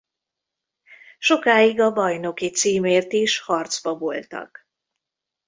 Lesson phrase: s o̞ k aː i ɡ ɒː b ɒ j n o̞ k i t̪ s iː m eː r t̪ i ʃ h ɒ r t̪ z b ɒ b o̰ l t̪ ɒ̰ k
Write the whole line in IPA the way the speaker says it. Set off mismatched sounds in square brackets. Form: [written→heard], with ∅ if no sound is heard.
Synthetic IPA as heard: [s→ʃ] o̞ k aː i ɡ [ɒː→ɒ] b ɒ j n o̞ k i t̪ s iː m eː r t̪ i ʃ h ɒ r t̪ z b ɒ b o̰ l t̪ ɒ̰ k